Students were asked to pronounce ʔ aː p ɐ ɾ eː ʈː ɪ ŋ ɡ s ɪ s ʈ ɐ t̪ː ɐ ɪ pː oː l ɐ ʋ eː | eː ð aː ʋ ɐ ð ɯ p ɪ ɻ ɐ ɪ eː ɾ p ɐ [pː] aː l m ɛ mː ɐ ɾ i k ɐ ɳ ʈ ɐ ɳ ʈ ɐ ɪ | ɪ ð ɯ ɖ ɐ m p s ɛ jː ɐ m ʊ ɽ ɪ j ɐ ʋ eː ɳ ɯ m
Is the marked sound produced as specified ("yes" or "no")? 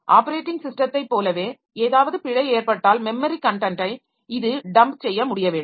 no